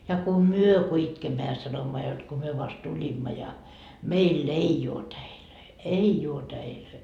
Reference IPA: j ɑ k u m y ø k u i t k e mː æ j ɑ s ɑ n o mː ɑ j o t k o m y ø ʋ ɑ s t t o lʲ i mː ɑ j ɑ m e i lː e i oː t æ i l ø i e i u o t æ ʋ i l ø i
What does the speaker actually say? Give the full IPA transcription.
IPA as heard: j ɑ k u m y ø k u i t k e mː æ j ɑ s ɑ n o mː ɑ j o t k o m y ø ʋ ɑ s t t u lʲ i mː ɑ j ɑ m e i lː e i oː t æ i l ø i e i u o t æ i l ø i

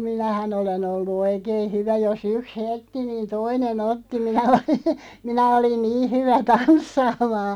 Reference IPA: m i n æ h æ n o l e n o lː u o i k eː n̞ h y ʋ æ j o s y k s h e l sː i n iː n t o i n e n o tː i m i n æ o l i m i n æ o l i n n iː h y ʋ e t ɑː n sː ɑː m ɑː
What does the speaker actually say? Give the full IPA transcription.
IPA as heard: m i n æ h æ n o l e n o lː u o i k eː n̞ h y ʋ æ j o s y k s h e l tː i n iː n t o i n e n o tː i m i n æ o l i m i n æ o l i n n iː h y ʋ æ t ɑ n sː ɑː m ɑː

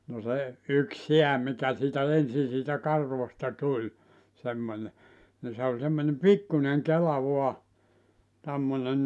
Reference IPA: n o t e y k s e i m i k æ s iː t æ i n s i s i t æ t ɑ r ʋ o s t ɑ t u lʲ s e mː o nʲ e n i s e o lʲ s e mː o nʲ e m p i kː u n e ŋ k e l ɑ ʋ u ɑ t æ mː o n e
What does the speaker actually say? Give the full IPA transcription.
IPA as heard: n o s e y k s e æ m i k æ s iː t æ e n s i s iː t æ k ɑ r ʋ o s t ɑ t u lʲ s e mː o nʲ e n i s e o lʲ s e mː o nʲ e m p i kː u n e ŋ k e l ɑ ʋ u ɑ t æ mː o n e

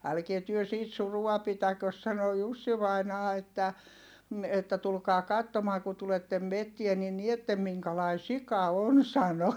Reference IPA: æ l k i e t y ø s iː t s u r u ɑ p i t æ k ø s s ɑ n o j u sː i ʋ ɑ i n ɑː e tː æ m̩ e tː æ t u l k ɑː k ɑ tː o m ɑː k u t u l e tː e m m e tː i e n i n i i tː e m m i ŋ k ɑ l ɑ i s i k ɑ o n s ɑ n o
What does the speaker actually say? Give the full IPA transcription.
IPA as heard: æ l k i e t y ø s iː t s u r u ɑ p i t æ k ø s s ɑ n o j u sː i ʋ ɑ i n ɑː e tː æ m̩ e tː æ t u l k ɑː k ɑ tː o m ɑː k u t u l e tː e m m e tː i e n i n i e tː e m m i ŋ k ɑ l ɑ i s i k ɑ o n s ɑ n o

